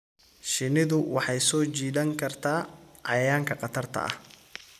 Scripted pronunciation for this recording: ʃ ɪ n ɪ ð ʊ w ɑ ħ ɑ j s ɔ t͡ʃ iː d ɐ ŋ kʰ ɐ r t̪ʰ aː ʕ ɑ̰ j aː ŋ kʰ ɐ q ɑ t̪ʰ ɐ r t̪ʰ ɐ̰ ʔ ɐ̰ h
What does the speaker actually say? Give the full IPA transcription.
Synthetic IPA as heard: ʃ ɪ n ɪ ð ʊ w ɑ ħ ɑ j s ɔː t͡ʃ iː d ɐ ŋ kʰ ɐ r t̪ʰ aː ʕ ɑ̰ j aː ŋ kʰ ɐ q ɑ t̪ʰ ɐ r t̪ʰ ɐ̰ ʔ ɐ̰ h